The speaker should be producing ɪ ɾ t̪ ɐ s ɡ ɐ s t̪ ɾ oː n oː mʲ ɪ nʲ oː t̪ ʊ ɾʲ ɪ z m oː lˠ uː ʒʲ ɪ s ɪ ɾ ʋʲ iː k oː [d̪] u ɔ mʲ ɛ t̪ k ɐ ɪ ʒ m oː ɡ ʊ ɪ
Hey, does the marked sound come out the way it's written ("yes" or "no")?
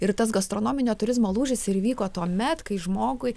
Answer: no